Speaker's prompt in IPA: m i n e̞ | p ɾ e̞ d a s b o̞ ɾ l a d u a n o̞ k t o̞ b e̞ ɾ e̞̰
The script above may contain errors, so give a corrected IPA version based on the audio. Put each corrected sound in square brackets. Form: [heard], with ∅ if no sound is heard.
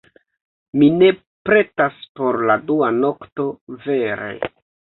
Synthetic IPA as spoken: m i n e̞ | p ɾ e̞ [t] a s [p] o̞ ɾ l a d u a n o̞ k t o̞ [v] e̞ ɾ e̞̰